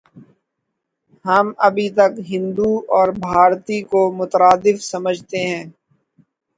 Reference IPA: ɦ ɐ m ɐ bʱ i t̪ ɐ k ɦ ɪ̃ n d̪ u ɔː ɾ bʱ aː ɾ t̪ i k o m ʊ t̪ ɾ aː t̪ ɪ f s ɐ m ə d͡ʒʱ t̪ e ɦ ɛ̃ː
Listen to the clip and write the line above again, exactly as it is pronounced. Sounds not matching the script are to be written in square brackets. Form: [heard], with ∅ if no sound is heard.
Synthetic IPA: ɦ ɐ m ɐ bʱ i t̪ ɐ k ɦ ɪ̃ n d̪ u ɔː ɾ bʱ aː ɾ t̪ i k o m ʊ t̪ ɾ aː [d̪] ɪ f s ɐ m ə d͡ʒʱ t̪ e ɦ ɛ̃ː

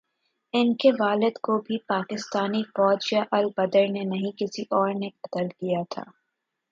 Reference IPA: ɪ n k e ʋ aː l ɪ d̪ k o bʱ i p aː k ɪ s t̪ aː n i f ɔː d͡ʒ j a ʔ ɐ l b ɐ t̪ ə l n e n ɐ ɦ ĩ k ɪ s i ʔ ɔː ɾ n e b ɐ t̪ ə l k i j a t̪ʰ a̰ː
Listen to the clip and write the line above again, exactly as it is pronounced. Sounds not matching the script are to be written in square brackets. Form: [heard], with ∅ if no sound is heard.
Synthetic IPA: ɪ n k e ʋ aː l ɪ d̪ k o bʱ i p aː k ɪ s t̪ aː n i f ɔː d͡ʒ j a ʔ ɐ l b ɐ [d̪] ə [ɾ] n e n ɐ ɦ ĩ k ɪ s i ʔ ɔː ɾ n e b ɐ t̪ ə l k i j a t̪ʰ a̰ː

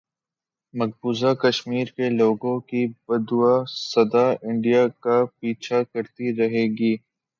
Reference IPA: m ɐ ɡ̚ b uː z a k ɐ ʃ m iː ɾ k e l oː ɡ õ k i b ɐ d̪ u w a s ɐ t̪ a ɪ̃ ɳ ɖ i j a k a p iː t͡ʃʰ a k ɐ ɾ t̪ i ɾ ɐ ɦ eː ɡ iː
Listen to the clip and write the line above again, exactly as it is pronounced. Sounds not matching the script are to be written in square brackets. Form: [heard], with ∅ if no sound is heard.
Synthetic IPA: m ɐ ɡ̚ b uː z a k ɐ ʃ m iː ɾ k e l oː ɡ õ k i b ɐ d̪ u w a s ɐ [d̪] a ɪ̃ ɳ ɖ i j a k a p iː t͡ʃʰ a k ɐ ɾ t̪ i ɾ ɐ ɦ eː ɡ iː

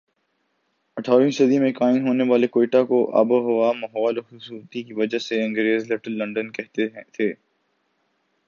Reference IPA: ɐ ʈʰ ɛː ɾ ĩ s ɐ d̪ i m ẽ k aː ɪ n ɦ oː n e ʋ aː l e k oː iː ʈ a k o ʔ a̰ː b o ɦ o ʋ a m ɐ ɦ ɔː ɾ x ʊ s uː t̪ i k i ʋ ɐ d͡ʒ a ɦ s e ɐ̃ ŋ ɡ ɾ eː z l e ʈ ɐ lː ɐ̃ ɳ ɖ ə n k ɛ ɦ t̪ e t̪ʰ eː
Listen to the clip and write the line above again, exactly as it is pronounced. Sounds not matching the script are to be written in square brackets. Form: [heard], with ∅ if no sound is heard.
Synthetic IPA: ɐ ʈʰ [aː] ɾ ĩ s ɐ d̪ i m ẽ k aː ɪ n ɦ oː n e ʋ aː l e k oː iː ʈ a k o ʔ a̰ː b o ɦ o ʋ a m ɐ ɦ ɔː [l] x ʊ s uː t̪ i k i ʋ ɐ d͡ʒ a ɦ s e ɐ̃ ŋ ɡ ɾ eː z l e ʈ [ə] lː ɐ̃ ɳ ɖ ə n k ɛ ɦ t̪ e t̪ʰ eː

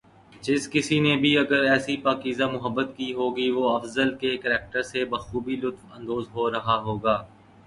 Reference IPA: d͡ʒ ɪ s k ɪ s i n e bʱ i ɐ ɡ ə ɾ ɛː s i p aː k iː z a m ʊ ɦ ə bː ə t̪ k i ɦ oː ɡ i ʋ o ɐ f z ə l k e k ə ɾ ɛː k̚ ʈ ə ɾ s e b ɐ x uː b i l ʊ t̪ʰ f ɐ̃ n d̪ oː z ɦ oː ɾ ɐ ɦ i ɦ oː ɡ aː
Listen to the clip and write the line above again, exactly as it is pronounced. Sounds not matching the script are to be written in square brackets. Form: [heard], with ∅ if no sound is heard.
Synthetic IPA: d͡ʒ ɪ s k ɪ s i n e bʱ i ɐ ɡ ə ɾ ɛː s i p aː k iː z a m ʊ ɦ ə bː ə t̪ k i ɦ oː ɡ i ʋ o ɐ f z ə l k e k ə ɾ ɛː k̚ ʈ ə ɾ s e b ɐ x uː b i l ʊ [t̪] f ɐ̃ n d̪ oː z ɦ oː ɾ ɐ ɦ [a] ɦ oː ɡ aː

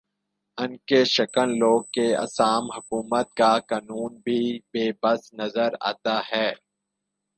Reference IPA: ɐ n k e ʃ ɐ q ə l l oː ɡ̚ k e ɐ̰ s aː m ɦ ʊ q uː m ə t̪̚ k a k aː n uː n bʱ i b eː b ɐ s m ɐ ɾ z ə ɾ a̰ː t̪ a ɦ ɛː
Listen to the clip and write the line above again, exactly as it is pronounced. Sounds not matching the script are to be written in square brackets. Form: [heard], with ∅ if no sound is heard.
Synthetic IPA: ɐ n k e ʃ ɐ [k] ə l l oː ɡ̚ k e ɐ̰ s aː m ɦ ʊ [k] uː m ə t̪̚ k a k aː n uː n bʱ i b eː b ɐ s [n] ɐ [∅] z ə ɾ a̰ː t̪ a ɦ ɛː

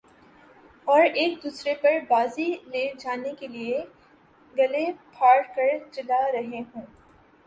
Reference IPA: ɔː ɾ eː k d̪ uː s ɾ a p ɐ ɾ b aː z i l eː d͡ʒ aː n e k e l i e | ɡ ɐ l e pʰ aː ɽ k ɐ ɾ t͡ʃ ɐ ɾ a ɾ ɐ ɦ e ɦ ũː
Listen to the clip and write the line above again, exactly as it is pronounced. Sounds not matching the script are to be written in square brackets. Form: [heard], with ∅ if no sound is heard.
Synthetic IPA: ɔː ɾ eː k d̪ uː s ɾ [e] p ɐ ɾ b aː z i l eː d͡ʒ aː n e k e l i e | ɡ ɐ l e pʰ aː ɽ k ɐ ɾ t͡ʃ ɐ [l] a ɾ ɐ ɦ e ɦ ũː

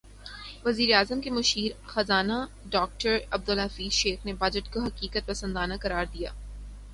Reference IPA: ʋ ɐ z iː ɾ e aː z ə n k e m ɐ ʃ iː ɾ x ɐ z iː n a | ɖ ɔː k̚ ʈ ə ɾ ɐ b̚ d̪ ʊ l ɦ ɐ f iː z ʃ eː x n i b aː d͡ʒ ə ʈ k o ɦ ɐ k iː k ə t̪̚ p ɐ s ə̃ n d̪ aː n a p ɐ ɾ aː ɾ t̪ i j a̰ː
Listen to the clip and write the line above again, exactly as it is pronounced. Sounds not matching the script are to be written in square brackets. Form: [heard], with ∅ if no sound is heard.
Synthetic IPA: ʋ ɐ z iː ɾ e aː z ə [m] k e m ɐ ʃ iː ɾ x ɐ z [aː] n a | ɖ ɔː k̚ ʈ ə ɾ ɐ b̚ d̪ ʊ l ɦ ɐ f iː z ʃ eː x n [e] b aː d͡ʒ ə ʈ k o ɦ ɐ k iː k ə t̪̚ p ɐ s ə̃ n d̪ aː n a [k] ɐ ɾ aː ɾ [d̪] i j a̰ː

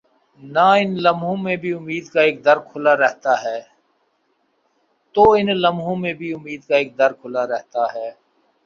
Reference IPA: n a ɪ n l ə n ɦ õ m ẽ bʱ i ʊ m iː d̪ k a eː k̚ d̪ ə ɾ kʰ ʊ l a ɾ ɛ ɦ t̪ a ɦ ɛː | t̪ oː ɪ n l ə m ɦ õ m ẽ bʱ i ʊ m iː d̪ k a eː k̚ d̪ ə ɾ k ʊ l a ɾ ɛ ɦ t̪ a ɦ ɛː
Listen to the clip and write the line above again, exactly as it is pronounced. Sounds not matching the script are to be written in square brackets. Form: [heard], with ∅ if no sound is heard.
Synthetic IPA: n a ɪ n l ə [m] ɦ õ m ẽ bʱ i ʊ m iː d̪ k a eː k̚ d̪ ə ɾ kʰ ʊ l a ɾ ɛ ɦ t̪ a ɦ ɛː | t̪ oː ɪ n l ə m ɦ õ m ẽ bʱ i ʊ m iː d̪ k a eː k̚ d̪ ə ɾ [kʰ] ʊ l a ɾ ɛ ɦ t̪ a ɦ ɛː

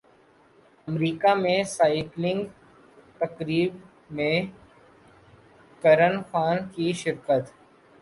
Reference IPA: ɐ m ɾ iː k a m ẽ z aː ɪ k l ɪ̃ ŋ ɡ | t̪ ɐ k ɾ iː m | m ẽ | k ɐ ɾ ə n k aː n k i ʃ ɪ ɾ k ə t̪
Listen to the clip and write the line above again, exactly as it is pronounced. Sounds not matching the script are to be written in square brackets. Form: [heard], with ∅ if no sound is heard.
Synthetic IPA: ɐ m ɾ iː k a m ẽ [s] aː ɪ k l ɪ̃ ŋ ɡ | t̪ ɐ k ɾ iː [b] | m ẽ | k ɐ ɾ ə n [x] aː n k i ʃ ɪ ɾ k ə t̪

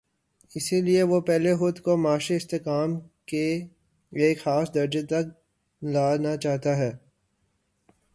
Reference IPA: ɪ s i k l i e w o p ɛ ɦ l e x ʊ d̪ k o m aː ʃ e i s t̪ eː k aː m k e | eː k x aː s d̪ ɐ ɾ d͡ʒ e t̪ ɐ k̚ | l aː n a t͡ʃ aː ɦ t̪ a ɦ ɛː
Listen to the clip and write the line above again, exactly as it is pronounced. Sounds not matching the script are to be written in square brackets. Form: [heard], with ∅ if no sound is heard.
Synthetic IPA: ɪ s i [∅] l i e [ʋ] o p ɛ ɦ l e x ʊ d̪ k o m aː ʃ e [ɪ] s t̪ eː k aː m k e | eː k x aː s d̪ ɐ ɾ d͡ʒ e t̪ ɐ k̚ | l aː n a t͡ʃ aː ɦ t̪ a ɦ ɛː

